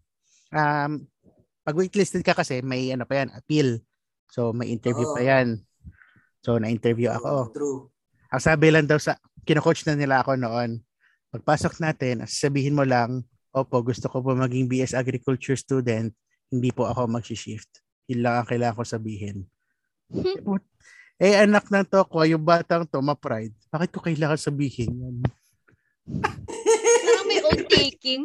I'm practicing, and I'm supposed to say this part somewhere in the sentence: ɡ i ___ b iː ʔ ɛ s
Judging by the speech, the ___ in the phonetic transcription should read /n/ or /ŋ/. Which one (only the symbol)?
ŋ